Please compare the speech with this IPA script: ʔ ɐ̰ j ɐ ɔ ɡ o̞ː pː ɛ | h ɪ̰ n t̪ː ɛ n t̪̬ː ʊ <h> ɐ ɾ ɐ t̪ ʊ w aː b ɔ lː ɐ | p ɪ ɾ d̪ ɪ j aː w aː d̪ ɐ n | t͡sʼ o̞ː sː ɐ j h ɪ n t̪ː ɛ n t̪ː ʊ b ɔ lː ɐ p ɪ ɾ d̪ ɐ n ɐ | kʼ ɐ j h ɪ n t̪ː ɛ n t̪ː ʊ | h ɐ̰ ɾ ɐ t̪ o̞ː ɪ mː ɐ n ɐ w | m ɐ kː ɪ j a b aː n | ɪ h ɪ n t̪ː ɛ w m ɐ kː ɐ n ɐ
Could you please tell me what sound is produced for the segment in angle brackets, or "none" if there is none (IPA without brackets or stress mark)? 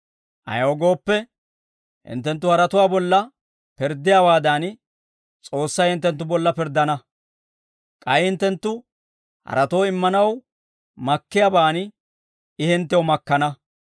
h